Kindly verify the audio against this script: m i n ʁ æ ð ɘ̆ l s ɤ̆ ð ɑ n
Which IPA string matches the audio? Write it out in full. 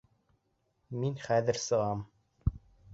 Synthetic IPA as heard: m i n χ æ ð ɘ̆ ɾ s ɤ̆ ʁ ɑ m